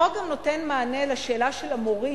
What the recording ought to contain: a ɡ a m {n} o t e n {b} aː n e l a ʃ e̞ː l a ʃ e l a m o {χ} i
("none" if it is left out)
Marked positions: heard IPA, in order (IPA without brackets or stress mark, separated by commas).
n, m, ʁ